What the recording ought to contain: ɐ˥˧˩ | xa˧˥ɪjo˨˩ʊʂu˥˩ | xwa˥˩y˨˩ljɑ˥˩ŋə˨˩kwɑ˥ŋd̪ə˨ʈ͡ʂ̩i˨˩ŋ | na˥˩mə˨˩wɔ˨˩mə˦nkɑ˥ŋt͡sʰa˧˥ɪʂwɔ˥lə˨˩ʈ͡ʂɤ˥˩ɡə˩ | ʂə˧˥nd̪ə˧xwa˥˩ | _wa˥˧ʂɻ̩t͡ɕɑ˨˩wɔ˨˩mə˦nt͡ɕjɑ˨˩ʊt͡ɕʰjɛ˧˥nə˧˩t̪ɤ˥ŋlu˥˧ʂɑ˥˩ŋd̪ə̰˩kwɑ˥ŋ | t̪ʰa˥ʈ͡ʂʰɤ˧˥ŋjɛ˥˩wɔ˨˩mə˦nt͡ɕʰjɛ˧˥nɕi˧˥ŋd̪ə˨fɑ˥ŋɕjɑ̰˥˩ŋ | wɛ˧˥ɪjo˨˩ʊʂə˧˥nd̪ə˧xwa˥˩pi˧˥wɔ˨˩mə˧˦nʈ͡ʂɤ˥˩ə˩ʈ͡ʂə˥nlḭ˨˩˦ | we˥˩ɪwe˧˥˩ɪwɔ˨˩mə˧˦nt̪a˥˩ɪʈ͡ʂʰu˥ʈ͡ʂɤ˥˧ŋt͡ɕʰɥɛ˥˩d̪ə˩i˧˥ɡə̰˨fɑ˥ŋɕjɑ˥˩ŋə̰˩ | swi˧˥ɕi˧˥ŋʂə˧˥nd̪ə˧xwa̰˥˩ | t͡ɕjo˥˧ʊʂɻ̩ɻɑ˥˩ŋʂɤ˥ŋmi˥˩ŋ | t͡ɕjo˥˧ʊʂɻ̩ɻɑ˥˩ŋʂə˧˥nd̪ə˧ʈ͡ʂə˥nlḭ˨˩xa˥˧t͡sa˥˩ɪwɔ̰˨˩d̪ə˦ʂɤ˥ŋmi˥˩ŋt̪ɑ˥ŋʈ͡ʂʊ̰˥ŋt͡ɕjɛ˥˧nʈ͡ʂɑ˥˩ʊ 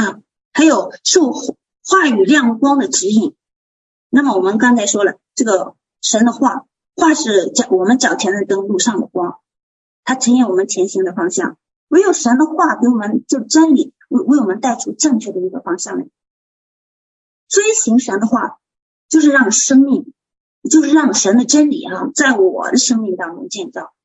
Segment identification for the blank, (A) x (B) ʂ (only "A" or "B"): A